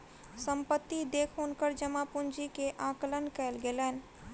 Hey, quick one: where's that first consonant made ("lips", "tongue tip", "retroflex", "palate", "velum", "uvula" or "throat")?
tongue tip